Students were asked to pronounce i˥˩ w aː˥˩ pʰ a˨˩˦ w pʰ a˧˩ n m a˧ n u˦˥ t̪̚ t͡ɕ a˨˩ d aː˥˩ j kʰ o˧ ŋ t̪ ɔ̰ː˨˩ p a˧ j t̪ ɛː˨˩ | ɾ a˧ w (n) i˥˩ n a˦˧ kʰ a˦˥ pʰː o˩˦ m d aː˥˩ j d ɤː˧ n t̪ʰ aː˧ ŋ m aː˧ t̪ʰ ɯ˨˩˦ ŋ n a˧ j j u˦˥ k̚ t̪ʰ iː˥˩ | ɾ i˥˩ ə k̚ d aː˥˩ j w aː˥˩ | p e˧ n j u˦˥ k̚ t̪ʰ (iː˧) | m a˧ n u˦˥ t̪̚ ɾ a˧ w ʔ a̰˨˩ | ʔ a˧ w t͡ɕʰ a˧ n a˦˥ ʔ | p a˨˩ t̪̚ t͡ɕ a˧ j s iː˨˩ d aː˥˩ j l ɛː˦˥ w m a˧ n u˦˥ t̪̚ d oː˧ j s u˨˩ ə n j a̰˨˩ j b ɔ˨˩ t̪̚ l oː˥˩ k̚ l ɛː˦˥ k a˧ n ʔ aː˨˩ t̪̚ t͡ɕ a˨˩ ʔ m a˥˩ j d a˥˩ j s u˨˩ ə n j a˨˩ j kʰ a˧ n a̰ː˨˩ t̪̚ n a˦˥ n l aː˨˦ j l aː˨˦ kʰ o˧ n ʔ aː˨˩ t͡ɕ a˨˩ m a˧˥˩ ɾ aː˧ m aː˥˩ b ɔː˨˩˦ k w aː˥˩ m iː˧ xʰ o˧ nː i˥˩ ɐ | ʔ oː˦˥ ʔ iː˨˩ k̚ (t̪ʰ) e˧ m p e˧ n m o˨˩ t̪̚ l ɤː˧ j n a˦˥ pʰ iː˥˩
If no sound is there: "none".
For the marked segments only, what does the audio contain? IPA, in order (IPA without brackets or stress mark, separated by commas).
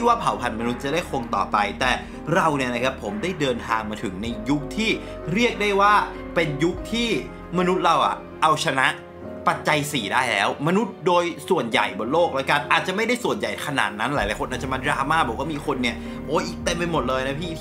n, iː˥˩, t̪